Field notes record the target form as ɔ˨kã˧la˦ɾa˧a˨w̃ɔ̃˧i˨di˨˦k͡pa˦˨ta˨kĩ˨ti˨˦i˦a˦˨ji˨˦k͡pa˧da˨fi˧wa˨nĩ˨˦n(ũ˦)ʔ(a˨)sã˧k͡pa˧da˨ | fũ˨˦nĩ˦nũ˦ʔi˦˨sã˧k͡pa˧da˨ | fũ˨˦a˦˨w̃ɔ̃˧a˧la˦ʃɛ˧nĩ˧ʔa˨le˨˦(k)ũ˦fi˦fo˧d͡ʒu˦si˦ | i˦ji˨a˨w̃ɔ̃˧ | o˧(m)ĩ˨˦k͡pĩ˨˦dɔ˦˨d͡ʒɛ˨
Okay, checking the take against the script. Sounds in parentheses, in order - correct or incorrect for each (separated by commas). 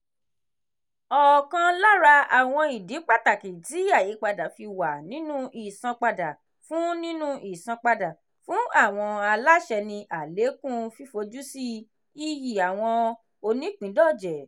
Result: correct, incorrect, correct, incorrect